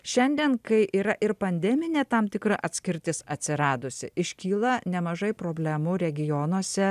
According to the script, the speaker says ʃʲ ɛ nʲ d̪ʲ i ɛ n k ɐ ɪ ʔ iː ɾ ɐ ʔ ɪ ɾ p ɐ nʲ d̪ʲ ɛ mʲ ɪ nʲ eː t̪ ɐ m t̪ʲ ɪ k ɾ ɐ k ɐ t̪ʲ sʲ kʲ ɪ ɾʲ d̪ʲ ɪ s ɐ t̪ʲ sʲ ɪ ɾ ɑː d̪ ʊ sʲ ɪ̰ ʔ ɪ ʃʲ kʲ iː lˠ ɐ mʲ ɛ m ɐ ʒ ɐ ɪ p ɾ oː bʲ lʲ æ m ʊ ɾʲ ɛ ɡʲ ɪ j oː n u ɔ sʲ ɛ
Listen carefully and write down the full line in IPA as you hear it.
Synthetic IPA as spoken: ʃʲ ɛ nʲ d̪ʲ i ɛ n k ɐ ɪ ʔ iː ɾ ɐ ʔ ɪ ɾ p ɐ nʲ d̪ʲ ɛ mʲ ɪ nʲ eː t̪ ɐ m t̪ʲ ɪ k ɾ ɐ ʔ ɐ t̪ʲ sʲ kʲ ɪ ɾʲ t̪ʲ ɪ s ɐ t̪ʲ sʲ ɪ ɾ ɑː d̪ ʊ sʲ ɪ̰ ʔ ɪ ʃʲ kʲ iː lˠ ɐ nʲ ɛ m ɐ ʒ ɐ ɪ p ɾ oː bʲ lʲ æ m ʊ ɾʲ ɛ ɡʲ ɪ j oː n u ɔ sʲ ɛ